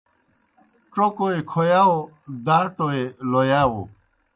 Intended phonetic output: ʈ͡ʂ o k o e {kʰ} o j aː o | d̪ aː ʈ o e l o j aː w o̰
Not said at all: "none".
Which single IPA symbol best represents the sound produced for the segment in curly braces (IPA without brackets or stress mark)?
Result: kʰ